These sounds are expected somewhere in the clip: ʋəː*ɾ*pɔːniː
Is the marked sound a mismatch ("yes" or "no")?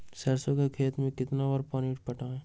no